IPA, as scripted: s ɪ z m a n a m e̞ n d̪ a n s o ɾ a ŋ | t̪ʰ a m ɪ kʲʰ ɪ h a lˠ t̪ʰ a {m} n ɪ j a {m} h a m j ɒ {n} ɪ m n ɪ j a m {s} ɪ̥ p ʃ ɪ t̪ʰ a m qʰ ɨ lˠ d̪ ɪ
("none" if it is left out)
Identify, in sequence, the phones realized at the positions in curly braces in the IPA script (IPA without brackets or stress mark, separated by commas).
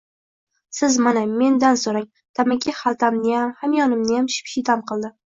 m, m, n, ʃ